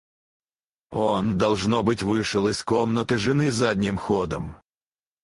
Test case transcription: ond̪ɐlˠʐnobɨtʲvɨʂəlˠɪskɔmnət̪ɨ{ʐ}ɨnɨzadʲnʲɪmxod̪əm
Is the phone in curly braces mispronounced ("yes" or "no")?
no